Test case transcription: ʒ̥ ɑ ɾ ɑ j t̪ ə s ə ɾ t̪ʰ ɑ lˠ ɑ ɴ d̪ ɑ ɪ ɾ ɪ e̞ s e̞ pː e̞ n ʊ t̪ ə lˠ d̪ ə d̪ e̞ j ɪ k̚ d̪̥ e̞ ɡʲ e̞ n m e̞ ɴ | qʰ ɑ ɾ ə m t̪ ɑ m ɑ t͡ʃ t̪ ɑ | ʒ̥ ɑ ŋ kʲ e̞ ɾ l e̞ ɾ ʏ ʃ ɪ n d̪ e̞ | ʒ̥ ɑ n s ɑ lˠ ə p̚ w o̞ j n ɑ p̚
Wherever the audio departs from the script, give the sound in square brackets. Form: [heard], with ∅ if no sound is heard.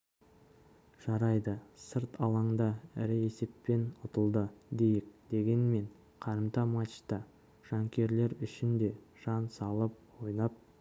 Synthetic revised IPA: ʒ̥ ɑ ɾ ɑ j [d̪] ə s ə ɾ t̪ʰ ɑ lˠ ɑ ɴ d̪ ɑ ɪ ɾ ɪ e̞ s e̞ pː e̞ n ʊ t̪ ə lˠ d̪ ə d̪ e̞ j ɪ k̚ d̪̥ e̞ ɡʲ e̞ n m e̞ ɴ | qʰ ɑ ɾ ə m t̪ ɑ m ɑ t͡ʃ t̪ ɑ | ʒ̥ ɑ ŋ kʲ e̞ ɾ l e̞ ɾ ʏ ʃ ɪ n d̪ e̞ | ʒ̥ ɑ n s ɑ lˠ ə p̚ w o̞ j n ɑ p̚